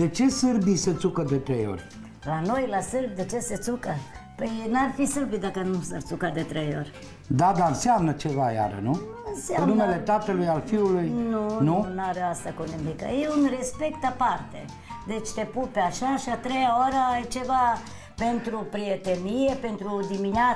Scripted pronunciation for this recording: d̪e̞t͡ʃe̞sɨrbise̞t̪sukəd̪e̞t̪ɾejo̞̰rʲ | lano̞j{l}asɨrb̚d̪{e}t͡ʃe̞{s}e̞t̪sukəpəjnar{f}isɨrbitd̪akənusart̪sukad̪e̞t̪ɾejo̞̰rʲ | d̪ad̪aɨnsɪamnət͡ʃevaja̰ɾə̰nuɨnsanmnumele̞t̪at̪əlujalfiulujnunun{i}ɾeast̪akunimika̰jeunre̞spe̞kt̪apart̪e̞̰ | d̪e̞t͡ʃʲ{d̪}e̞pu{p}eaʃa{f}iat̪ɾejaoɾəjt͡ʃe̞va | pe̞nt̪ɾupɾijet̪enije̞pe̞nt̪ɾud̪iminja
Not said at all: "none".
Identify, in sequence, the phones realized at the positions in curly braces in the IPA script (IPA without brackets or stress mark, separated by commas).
l, e, s, f, a, t̪, p, ʃ